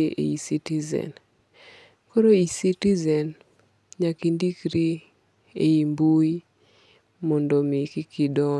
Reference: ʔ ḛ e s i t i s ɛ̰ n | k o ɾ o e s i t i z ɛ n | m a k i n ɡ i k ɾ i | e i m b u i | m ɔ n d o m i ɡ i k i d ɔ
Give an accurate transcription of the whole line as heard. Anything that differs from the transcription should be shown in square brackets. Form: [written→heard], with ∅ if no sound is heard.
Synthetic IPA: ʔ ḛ [e→i] s i t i [s→z] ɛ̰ n | k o ɾ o [e→i] s i t i z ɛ n | [m→ɲ] a k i n [ɡ→d] i k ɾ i | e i m b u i | m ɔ n d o m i [ɡ→k] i k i d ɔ